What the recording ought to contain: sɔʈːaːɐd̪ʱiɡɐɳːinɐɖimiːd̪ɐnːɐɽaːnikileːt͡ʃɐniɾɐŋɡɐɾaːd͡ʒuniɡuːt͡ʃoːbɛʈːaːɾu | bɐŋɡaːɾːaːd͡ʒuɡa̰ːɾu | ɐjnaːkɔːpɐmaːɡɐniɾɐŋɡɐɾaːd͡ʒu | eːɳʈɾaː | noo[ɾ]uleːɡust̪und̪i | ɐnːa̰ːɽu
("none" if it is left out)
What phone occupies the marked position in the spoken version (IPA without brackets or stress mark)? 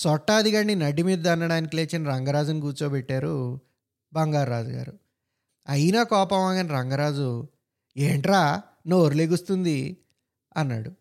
ɾ